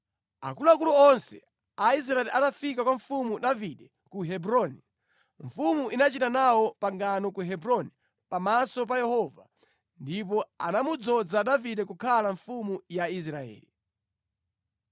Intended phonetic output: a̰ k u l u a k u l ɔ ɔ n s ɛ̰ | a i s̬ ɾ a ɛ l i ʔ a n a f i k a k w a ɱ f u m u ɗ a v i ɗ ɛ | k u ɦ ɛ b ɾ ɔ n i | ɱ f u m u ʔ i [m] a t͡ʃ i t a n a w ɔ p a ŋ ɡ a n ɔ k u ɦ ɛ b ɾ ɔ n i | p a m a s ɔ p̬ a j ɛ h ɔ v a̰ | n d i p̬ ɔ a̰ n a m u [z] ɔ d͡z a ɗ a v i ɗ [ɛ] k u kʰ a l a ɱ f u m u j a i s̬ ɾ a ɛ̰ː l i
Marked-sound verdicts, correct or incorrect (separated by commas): incorrect, incorrect, correct